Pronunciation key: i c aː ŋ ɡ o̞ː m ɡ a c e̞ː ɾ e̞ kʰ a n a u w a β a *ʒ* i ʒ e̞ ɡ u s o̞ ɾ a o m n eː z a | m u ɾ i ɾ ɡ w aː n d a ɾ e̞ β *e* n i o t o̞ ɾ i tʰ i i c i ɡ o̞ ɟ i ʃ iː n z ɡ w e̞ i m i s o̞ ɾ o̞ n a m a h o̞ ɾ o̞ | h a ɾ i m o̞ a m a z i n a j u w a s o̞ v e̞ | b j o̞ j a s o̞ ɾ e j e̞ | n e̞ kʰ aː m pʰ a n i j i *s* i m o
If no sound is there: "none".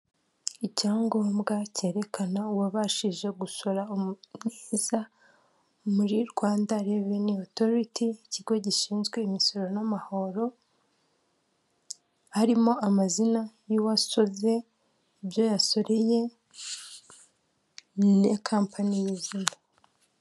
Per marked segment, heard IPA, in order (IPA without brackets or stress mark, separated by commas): ʃ, e, z